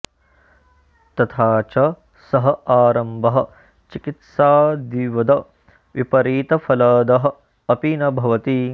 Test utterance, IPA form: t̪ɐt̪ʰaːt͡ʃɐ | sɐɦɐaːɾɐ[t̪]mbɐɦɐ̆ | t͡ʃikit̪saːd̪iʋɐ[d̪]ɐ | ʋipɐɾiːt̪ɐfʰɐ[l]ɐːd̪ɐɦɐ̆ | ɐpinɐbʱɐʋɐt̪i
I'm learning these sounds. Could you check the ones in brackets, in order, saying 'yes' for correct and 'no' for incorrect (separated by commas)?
no, yes, yes